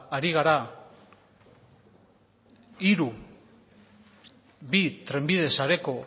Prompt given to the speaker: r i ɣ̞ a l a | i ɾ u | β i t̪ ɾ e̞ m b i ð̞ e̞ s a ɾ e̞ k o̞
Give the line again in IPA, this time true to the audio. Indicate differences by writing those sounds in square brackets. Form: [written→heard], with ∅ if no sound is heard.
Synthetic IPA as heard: [r→ɾ] i ɣ̞ a [l→ɾ] a | i ɾ u | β i t̪ ɾ e̞ m b i ð̞ e̞ s a ɾ e̞ k o̞